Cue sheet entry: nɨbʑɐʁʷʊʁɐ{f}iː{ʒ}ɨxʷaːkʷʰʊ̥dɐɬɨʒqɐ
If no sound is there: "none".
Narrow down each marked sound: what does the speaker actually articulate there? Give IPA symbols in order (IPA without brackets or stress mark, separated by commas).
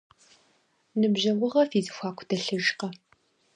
f, z